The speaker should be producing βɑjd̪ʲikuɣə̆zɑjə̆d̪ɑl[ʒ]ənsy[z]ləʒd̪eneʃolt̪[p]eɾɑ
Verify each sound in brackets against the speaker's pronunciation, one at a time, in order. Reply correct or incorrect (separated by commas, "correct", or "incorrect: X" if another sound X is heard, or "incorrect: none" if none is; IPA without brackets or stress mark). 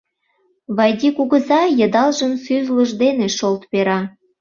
correct, correct, correct